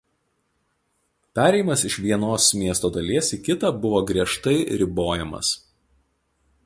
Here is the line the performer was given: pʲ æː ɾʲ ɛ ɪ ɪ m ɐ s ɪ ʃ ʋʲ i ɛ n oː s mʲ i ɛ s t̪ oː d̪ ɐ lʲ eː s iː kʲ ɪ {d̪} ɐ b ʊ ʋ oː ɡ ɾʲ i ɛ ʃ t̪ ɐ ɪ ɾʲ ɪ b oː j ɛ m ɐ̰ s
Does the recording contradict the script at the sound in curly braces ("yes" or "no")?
yes